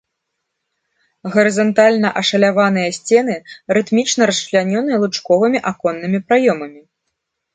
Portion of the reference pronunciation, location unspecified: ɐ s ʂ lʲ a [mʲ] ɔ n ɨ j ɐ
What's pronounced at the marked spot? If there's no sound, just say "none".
nʲ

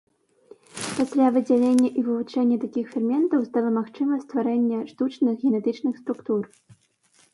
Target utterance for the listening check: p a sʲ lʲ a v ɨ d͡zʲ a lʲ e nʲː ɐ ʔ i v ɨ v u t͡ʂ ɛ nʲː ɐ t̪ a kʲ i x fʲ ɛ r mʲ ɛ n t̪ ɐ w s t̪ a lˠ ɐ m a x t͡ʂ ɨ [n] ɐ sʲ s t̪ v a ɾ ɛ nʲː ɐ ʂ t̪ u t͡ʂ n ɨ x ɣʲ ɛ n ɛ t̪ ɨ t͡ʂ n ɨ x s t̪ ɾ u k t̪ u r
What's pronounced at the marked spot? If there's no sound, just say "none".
m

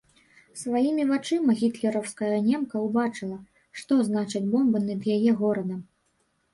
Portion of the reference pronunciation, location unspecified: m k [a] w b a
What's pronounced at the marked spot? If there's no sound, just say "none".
ɐ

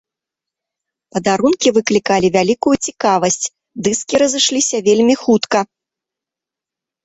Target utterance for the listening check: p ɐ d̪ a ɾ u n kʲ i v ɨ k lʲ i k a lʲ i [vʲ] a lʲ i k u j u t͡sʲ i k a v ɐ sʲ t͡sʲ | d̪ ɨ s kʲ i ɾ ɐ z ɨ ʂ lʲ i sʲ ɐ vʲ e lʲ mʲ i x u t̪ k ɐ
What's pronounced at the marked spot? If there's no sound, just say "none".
vʲ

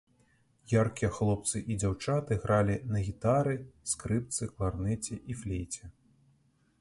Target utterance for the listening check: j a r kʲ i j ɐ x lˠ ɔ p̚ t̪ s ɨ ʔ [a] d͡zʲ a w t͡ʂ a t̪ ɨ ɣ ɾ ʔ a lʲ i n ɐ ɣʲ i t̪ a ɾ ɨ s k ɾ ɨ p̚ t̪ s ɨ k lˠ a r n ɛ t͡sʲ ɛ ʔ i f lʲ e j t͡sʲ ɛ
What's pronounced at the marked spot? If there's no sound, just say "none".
i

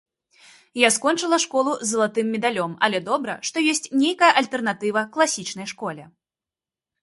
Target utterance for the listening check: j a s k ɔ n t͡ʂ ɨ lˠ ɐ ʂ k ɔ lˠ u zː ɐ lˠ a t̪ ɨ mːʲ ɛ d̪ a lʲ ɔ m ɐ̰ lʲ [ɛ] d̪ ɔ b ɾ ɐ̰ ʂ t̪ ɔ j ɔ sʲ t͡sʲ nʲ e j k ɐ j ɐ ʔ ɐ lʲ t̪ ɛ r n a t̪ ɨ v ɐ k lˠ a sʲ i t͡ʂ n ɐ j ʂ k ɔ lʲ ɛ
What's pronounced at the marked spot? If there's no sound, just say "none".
ɛ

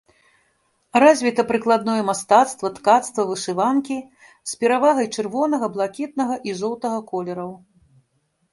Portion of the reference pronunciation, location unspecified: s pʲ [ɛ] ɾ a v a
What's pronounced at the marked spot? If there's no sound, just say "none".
ɛ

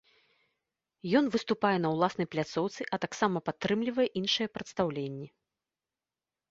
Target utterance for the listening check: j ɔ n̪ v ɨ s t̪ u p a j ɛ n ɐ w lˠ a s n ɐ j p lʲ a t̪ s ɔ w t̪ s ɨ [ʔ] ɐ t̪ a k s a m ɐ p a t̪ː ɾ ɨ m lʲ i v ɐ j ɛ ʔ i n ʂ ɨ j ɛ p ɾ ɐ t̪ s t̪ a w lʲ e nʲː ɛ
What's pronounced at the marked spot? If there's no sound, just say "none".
ʔ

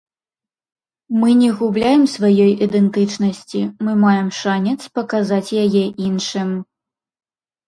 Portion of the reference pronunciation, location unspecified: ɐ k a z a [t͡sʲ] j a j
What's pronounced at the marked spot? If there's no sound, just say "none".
t͡sʲ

